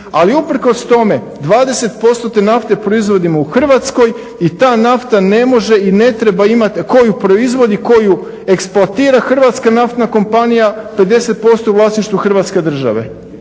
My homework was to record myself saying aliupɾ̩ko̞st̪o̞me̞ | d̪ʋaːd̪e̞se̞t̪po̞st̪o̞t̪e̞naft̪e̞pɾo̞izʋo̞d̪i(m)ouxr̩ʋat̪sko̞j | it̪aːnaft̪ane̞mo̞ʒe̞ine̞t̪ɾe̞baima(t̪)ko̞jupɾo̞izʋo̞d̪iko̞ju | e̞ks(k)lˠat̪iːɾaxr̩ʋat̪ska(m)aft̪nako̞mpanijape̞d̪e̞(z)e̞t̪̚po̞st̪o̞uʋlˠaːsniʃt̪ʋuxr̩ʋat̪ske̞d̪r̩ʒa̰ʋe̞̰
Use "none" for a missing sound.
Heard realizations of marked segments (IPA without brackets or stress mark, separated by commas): m, t̪, p, n, s